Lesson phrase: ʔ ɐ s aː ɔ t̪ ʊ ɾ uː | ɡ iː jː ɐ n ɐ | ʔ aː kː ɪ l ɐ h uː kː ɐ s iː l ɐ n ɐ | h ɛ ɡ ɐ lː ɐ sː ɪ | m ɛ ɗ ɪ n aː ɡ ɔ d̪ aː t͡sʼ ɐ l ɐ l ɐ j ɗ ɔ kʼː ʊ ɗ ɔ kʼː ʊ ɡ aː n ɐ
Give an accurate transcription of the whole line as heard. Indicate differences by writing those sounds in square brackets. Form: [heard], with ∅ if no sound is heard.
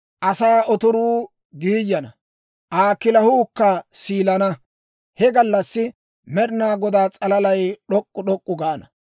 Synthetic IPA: ʔ ɐ s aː ɔ t̪ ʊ ɾ uː | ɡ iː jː ɐ n ɐ | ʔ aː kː ɪ l ɐ h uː kː ɐ s iː l ɐ n ɐ | h ɛ ɡ ɐ lː ɐ sː ɪ | m ɛ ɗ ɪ n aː ɡ ɔ d̪ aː t͡sʼ ɐ l ɐ l ɐ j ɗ ɔ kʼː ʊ ɗ ɔ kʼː ʊ ɡ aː n ɐ